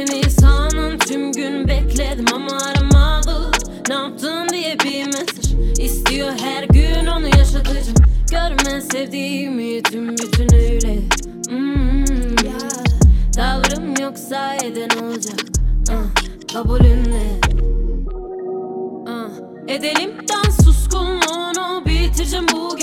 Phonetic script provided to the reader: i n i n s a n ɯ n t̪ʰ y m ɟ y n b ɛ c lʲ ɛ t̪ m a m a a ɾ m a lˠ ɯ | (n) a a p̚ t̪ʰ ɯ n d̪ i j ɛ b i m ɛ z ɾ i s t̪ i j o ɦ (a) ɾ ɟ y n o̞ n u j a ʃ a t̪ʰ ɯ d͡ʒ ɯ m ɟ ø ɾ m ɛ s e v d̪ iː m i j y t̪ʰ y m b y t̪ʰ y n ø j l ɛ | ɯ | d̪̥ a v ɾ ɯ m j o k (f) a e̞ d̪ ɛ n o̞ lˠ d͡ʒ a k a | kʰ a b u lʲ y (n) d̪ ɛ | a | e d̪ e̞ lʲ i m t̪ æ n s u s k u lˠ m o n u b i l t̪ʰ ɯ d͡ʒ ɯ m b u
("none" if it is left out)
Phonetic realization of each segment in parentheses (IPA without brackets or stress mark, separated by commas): n, æ, s, n